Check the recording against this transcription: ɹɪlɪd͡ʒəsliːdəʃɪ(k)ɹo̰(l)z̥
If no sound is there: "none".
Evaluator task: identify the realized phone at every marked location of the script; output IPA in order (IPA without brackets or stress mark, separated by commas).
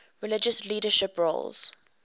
p, l